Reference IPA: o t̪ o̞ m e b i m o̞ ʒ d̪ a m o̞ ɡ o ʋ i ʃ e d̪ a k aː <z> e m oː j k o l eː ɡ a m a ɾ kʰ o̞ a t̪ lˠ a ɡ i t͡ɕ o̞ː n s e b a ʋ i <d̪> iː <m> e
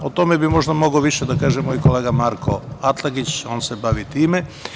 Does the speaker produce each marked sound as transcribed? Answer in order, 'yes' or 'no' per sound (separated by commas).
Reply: no, no, yes